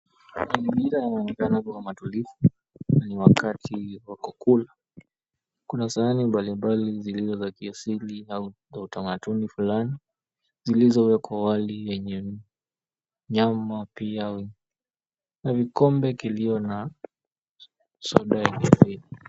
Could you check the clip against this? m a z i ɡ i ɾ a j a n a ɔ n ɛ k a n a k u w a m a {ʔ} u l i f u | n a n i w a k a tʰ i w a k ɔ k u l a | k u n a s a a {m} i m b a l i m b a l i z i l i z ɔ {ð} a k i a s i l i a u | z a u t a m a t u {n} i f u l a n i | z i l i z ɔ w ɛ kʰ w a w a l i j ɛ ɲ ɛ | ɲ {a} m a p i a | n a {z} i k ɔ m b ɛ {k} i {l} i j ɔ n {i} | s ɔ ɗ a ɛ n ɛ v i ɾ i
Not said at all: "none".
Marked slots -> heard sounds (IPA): t, n, z, n, a, v, k, l, a

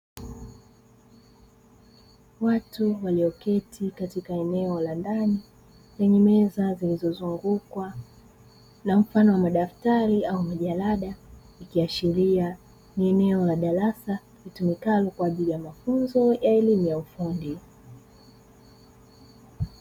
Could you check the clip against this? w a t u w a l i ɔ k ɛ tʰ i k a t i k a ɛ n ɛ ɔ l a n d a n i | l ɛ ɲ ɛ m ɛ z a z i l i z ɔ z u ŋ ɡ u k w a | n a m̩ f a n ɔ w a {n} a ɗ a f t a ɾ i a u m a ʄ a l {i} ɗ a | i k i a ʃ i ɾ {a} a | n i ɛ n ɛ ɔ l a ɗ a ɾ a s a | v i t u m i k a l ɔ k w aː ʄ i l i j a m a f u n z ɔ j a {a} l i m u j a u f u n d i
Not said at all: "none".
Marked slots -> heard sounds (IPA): m, a, i, ɛ

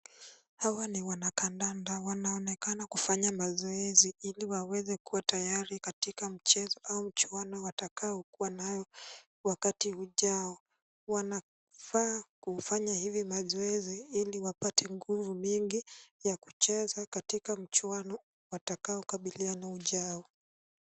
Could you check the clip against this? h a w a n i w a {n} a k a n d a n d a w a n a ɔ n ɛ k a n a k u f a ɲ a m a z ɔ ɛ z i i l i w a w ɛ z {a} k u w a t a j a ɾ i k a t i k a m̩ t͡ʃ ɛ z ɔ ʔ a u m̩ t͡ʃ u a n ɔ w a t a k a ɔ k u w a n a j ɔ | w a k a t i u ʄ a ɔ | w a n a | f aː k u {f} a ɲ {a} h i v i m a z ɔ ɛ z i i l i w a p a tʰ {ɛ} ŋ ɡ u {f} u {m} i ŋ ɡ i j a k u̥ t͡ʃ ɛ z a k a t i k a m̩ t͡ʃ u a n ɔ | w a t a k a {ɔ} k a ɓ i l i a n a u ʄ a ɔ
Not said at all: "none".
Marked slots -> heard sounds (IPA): n, ɛ, f, a, ɛ, v, m, ɔ

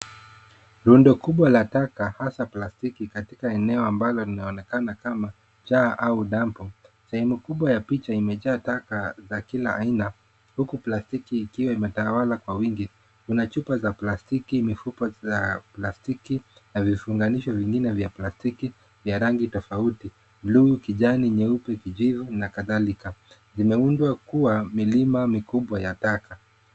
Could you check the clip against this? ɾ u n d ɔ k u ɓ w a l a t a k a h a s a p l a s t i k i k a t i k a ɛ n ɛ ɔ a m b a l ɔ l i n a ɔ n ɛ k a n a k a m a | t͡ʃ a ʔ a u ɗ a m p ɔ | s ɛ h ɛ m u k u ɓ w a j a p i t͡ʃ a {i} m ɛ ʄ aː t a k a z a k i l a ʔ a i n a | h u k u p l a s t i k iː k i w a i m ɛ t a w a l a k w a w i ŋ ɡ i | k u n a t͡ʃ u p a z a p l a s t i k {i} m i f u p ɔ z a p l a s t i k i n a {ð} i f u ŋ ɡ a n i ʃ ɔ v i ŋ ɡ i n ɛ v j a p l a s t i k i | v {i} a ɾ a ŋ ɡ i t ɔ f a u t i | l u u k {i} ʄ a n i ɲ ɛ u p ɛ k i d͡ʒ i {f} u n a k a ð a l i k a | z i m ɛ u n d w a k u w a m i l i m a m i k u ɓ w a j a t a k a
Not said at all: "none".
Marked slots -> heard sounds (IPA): i, i, v, j, i, v

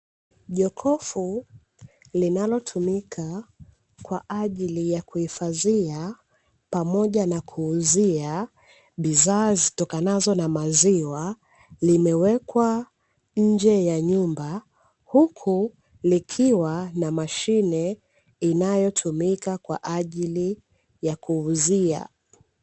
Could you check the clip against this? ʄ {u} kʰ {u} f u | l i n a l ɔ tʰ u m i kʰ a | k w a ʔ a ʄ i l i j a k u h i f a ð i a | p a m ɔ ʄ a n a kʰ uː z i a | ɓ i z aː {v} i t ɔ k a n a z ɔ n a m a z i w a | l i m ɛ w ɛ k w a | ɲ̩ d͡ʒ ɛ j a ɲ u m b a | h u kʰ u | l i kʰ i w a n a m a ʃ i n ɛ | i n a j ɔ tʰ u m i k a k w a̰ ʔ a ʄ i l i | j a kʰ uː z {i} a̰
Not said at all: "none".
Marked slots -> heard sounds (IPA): ɔ, ɔ, z, i

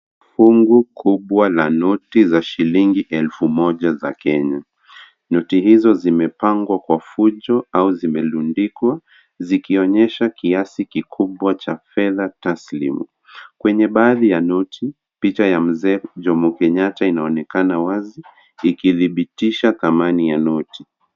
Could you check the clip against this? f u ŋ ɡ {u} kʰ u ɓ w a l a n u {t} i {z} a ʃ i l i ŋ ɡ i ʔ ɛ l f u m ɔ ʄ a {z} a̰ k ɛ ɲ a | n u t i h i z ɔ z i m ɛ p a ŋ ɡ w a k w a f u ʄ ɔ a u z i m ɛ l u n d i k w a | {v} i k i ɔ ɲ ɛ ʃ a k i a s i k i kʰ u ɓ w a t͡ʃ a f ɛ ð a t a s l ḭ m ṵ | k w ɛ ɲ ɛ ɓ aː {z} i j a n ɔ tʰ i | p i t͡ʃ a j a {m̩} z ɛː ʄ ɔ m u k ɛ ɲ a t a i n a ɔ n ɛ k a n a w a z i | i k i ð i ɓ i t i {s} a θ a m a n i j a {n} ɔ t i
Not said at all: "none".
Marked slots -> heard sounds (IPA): u, t, z, z, z, ð, m̩, ʃ, n

